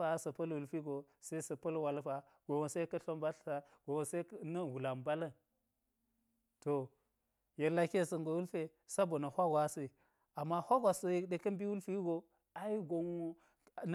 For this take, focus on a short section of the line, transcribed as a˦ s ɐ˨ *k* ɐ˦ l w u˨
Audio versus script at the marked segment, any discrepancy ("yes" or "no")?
yes